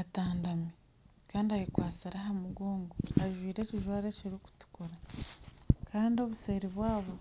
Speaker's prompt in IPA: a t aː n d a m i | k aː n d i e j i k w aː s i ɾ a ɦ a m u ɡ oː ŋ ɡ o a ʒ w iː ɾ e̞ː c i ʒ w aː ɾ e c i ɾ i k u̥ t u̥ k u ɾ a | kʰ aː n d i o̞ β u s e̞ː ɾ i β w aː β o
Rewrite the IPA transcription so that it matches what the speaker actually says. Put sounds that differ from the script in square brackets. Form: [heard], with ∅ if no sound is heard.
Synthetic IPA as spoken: a t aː n d a m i | k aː n d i [a] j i k w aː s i ɾ a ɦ a m u ɡ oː ŋ ɡ o a ʒ w iː ɾ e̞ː c i ʒ w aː ɾ e c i ɾ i k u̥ t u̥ k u ɾ a | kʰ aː n d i o̞ β u s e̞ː ɾ i β w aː β o